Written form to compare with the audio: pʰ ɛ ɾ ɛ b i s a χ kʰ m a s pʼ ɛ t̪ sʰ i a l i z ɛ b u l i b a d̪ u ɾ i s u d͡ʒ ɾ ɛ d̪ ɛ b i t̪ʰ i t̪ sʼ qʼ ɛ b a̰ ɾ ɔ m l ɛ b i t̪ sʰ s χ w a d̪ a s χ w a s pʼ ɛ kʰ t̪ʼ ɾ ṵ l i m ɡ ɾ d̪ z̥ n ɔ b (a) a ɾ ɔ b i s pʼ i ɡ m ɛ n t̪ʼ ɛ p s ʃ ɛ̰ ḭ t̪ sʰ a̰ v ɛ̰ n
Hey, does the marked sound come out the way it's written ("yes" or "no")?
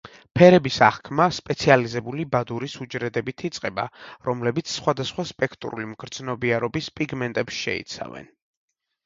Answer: no